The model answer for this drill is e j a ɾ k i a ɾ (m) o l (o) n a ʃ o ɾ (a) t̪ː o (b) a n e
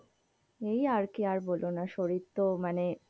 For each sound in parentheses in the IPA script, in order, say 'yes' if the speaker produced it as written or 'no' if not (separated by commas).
no, yes, no, no